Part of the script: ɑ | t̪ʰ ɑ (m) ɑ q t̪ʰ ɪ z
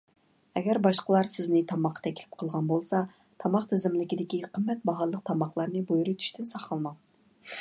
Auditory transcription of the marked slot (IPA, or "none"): m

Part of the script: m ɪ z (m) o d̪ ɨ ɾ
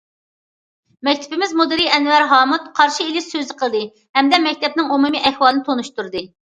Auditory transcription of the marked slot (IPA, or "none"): m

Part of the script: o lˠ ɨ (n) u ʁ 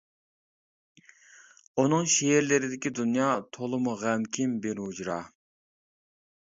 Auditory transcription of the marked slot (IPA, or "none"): m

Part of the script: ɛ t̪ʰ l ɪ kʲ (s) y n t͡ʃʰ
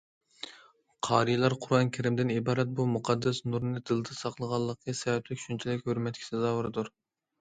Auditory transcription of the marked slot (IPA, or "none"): ʃ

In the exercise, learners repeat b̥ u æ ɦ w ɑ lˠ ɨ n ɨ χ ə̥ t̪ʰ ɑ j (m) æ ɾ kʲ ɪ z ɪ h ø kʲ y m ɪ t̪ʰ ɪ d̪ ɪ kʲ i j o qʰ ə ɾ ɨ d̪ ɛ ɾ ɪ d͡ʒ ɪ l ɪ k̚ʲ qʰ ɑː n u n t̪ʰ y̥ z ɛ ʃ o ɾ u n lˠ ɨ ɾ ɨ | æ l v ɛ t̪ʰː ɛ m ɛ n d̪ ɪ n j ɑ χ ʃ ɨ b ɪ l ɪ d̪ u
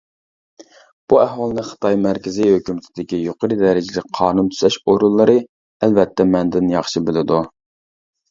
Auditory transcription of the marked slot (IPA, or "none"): m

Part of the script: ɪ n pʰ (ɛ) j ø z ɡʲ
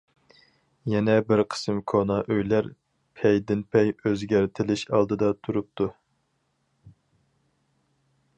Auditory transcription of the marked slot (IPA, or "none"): ɛ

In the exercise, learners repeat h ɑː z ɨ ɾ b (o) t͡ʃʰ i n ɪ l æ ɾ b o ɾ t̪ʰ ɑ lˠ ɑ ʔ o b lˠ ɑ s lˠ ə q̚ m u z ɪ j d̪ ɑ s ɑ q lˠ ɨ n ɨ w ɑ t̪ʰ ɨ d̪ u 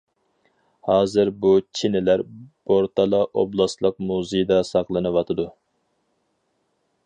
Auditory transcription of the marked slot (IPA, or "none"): u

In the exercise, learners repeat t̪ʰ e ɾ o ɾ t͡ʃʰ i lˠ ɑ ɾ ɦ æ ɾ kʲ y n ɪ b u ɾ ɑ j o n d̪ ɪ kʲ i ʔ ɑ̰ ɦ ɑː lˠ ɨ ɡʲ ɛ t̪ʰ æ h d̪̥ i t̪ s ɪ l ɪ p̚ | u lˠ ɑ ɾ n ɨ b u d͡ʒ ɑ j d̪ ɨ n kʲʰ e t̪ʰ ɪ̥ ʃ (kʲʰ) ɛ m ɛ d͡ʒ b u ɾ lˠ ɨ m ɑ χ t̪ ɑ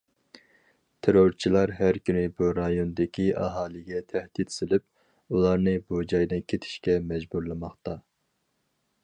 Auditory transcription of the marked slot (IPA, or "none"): kʲ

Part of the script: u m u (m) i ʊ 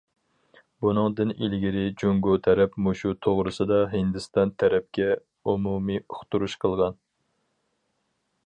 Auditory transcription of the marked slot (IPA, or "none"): m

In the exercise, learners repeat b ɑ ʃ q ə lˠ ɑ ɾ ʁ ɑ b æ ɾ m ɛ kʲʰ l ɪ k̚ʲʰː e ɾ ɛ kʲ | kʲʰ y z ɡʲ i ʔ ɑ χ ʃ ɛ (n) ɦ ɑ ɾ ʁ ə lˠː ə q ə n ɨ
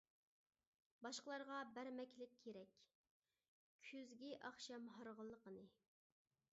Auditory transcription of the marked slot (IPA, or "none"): m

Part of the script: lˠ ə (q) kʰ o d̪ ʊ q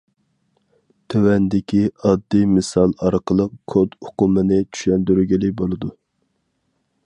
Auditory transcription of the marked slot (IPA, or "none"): q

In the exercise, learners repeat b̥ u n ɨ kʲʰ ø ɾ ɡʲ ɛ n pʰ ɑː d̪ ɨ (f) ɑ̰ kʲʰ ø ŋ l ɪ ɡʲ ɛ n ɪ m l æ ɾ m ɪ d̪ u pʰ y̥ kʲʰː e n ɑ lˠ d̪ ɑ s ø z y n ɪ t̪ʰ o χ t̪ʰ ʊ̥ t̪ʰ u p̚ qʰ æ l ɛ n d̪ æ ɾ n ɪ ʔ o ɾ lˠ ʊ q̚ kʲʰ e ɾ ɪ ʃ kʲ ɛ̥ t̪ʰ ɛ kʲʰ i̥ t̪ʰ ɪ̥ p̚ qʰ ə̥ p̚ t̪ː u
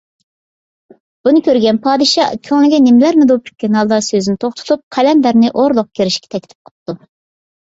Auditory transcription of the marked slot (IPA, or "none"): ʃ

